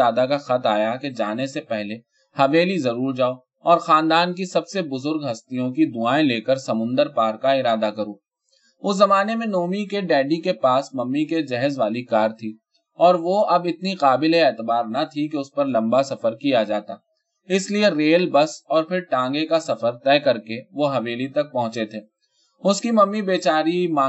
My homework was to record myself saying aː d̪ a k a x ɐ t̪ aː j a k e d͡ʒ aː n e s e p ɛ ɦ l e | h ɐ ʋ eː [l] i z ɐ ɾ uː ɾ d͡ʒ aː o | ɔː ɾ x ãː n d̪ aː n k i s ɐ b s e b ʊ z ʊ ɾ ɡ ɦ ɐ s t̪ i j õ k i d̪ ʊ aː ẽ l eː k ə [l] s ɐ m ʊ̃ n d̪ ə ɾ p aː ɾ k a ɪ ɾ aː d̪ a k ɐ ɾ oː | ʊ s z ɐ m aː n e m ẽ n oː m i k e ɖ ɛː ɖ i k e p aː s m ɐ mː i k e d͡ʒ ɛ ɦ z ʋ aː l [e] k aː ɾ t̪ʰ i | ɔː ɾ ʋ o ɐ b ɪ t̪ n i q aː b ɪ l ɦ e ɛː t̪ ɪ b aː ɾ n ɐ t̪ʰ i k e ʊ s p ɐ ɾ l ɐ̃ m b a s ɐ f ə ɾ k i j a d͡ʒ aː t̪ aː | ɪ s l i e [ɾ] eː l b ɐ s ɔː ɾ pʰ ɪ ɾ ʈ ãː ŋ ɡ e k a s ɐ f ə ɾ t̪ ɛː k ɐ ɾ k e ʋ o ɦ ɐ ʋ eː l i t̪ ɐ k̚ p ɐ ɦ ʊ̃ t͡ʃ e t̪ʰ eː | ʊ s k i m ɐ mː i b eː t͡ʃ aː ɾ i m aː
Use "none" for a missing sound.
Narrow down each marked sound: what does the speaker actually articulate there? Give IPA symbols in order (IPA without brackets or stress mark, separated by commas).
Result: l, ɾ, i, ɾ